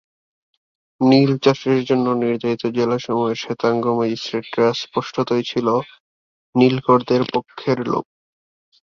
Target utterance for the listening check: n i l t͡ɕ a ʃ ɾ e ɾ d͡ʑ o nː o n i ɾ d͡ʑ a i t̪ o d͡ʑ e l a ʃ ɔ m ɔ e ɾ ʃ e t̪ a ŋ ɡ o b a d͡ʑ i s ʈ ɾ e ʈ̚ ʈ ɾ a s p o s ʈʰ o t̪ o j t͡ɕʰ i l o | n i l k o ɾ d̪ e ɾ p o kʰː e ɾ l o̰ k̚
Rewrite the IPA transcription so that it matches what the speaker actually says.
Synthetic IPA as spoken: n i l t͡ɕ a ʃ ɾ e ɾ d͡ʑ o nː o n i ɾ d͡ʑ a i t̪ o d͡ʑ e l a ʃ ɔ m ɔ e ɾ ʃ e t̪ a ŋ ɡ o m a d͡ʑ i s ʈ ɾ e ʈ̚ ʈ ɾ a s p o ʃ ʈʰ o t̪ o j t͡ɕʰ i l o | n i l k o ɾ d̪ e ɾ p o kʰː e ɾ l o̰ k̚